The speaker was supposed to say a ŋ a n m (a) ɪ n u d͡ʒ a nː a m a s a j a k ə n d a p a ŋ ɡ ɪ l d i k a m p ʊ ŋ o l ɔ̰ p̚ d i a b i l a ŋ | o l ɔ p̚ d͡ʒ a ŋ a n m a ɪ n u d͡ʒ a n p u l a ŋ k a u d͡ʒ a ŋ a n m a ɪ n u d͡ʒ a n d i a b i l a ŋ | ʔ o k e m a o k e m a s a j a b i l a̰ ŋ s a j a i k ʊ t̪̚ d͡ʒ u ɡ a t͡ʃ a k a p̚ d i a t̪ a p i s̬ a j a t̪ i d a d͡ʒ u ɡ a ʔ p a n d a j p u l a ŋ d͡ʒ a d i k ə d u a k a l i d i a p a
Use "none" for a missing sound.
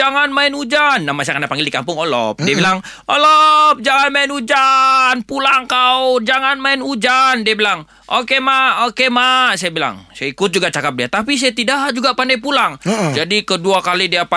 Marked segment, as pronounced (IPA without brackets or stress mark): a